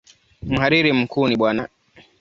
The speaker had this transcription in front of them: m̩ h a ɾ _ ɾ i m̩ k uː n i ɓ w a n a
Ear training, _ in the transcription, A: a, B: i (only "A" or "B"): B